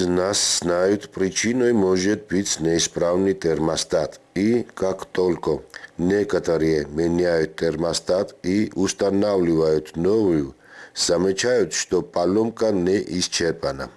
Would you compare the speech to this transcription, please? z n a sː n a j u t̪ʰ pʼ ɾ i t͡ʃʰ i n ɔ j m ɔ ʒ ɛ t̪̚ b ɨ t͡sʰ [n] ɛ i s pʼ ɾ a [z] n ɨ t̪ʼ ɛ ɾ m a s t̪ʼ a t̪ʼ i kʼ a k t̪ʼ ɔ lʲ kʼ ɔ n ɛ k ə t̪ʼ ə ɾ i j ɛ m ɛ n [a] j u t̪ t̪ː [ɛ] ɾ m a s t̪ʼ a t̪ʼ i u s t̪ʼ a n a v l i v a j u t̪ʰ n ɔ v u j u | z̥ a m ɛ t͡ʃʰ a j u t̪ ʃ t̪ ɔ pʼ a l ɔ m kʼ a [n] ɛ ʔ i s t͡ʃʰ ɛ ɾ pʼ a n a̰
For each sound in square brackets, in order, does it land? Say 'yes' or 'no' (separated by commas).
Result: yes, no, yes, yes, yes